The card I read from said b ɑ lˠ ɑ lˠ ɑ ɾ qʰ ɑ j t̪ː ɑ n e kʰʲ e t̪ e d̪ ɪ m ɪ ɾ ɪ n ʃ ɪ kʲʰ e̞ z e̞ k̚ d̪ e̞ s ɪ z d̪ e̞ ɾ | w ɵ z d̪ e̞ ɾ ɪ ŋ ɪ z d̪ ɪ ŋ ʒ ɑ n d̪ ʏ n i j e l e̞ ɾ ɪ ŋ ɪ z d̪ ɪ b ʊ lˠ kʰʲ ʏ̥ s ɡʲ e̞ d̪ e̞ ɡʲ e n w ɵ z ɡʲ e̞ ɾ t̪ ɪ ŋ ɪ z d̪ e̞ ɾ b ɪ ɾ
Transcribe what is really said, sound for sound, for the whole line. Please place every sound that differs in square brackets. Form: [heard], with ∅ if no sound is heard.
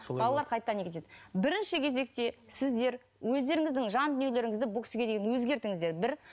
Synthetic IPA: b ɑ lˠ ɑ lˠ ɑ ɾ qʰ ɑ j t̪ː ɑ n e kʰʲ e t̪ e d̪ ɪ [b] ɪ ɾ ɪ n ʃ ɪ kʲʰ e̞ z e̞ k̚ [t̪] e̞ s ɪ z d̪ e̞ ɾ | w ɵ z d̪ e̞ ɾ ɪ ŋ ɪ z d̪ ɪ ŋ ʒ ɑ n d̪ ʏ n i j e l e̞ ɾ ɪ ŋ ɪ z d̪ ɪ b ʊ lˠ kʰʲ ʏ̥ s ɡʲ e̞ d̪ e̞ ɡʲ e n w ɵ z ɡʲ e̞ ɾ t̪ ɪ ŋ ɪ z d̪ e̞ ɾ b ɪ ɾ